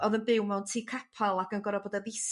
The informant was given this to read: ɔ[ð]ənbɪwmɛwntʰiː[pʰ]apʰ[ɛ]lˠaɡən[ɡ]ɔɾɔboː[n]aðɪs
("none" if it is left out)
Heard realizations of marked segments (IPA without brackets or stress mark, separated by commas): ð, kʰ, a, ɡ, d